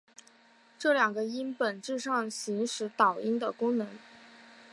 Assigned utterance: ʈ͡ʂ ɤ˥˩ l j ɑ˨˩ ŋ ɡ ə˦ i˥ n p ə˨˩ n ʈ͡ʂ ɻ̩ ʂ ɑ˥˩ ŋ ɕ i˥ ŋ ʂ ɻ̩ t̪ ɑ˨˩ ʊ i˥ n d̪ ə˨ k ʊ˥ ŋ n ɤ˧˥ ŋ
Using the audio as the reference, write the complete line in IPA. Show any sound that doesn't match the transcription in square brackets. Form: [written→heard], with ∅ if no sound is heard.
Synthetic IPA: ʈ͡ʂ ɤ˥˩ l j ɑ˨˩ ŋ ɡ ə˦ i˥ n p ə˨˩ n ʈ͡ʂ ɻ̩ ʂ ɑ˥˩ ŋ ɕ [i˥→i˧˥] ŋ ʂ ɻ̩ t̪ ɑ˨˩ ʊ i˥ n d̪ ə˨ k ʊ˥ ŋ n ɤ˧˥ ŋ